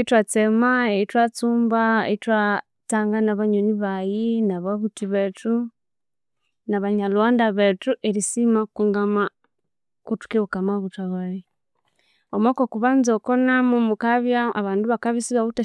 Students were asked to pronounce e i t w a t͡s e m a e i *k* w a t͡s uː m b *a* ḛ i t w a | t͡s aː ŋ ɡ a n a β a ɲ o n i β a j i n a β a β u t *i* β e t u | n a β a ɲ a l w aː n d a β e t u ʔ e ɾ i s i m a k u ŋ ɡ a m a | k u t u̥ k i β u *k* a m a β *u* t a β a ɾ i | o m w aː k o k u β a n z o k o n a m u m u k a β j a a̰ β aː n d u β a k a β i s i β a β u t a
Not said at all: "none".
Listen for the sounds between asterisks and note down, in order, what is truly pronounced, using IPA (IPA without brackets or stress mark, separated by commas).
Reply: t, a, i, k, u